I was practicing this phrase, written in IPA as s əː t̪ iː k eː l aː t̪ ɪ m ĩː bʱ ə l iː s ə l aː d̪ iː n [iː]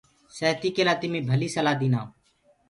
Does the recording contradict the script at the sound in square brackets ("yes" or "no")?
yes